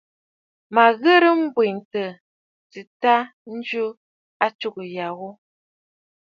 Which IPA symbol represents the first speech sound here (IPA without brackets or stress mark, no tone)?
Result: m